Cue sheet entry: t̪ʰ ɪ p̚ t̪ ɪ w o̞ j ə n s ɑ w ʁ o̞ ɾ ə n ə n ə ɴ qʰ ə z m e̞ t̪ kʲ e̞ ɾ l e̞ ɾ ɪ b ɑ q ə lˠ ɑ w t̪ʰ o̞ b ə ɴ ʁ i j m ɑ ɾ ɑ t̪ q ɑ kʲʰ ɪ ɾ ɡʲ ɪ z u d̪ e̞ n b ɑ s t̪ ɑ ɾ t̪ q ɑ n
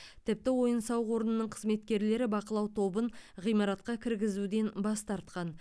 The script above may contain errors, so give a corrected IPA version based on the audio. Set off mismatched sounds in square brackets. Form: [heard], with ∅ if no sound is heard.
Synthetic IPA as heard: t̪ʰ ɪ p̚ t̪ ɪ w o̞ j ə n s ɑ w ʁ o̞ ɾ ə n ə n ə ɴ qʰ ə z m e̞ t̪ kʲ e̞ ɾ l e̞ ɾ ɪ b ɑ q ə lˠ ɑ w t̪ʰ o̞ b ə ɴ ʁ i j m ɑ ɾ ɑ t̪ q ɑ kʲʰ ɪ ɾ ɡʲ ɪ z u d̪ e̞ n b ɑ s t̪ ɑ ɾ t̪ q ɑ n